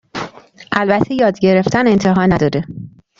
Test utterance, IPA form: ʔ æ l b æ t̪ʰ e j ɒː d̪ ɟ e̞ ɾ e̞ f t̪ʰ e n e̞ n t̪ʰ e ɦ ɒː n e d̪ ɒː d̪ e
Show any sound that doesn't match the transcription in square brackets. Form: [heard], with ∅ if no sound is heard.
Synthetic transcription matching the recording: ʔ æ l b æ t̪ʰ e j ɒː d̪ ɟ e̞ ɾ e̞ f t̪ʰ [æ] n e̞ n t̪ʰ e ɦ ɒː n [æ] d̪ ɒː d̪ e